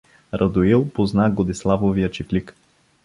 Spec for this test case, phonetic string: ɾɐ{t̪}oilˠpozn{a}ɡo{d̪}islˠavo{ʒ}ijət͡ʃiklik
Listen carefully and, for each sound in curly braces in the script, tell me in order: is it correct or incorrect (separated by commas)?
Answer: incorrect, correct, correct, incorrect